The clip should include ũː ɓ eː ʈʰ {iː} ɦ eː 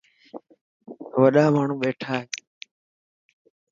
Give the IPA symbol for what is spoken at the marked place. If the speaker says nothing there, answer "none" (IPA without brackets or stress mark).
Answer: aː